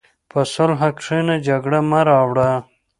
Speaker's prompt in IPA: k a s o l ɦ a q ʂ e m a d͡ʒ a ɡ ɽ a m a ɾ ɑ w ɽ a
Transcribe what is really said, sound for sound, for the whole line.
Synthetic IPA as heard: p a s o l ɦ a k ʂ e n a d͡ʒ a ɡ ɽ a m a ɾ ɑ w ɽ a